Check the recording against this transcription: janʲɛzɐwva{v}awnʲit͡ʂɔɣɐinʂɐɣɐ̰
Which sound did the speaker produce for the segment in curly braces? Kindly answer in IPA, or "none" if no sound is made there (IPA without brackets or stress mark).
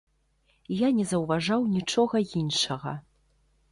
ʐ